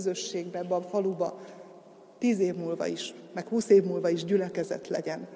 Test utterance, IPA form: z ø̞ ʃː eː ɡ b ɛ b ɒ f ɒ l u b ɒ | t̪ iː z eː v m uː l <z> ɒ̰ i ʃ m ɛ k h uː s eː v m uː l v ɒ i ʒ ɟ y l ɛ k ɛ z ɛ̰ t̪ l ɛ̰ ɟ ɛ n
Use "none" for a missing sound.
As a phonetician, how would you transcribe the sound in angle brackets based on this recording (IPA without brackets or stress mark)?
v